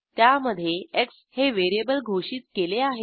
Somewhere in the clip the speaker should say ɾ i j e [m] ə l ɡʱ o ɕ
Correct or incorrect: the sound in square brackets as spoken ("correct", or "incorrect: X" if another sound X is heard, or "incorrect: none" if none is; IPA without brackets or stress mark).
incorrect: b